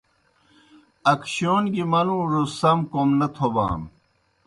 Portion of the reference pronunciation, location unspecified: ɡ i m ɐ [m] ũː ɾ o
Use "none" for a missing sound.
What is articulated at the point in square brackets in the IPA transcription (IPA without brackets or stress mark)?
n